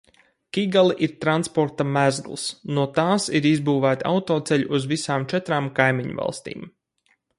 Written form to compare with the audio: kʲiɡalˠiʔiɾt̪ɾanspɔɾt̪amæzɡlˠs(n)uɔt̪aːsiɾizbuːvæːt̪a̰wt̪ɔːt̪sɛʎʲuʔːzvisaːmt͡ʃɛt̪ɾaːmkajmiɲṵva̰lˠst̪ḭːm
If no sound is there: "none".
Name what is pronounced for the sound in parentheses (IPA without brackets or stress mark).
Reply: n